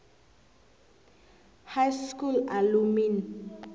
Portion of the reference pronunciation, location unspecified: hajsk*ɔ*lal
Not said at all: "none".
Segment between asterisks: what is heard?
u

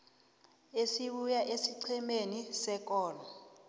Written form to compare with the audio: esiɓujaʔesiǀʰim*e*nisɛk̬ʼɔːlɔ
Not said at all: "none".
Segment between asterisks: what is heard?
e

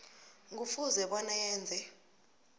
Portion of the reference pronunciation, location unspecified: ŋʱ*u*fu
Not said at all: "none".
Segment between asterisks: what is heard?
u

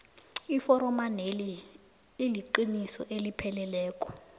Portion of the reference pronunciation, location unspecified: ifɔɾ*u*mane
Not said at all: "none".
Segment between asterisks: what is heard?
ɔ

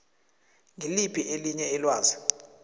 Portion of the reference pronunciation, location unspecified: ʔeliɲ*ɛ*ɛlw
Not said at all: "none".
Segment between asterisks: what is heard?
ɛ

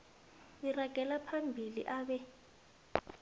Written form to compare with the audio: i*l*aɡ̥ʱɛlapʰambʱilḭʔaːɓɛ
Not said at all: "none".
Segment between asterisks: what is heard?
r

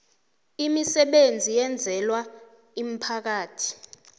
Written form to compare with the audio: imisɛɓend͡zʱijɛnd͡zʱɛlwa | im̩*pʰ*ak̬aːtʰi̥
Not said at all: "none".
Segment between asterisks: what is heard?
pʰ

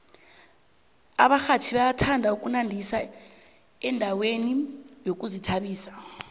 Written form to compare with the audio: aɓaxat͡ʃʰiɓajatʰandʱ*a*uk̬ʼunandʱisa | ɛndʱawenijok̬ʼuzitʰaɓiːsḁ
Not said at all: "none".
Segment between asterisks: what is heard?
a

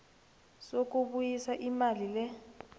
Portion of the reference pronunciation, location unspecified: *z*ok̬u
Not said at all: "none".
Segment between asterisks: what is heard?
s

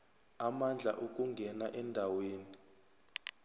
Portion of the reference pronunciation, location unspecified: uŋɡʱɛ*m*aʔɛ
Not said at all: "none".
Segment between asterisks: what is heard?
n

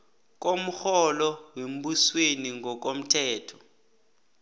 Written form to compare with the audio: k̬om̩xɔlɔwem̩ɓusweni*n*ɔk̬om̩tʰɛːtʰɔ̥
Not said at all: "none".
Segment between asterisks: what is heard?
ŋ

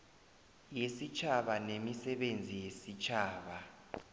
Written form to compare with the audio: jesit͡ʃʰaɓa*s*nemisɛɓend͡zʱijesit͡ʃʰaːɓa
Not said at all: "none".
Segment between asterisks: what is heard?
none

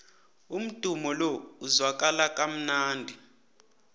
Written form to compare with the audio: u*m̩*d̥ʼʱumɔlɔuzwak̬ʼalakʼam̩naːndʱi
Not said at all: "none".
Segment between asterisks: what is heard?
m̩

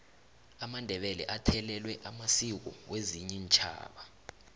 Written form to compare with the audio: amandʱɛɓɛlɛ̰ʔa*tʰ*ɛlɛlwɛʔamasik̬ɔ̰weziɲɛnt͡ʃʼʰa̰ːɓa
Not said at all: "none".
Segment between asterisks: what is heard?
tʰ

